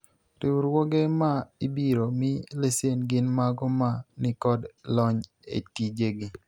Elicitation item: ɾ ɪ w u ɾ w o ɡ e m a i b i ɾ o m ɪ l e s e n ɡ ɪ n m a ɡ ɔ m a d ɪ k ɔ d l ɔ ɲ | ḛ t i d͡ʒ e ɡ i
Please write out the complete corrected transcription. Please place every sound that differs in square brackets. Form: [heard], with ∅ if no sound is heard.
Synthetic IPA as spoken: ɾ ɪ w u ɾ w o ɡ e m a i b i ɾ o m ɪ l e s e n ɡ ɪ n m a ɡ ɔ m a [n] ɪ k ɔ d l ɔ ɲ | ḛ t i d͡ʒ e ɡ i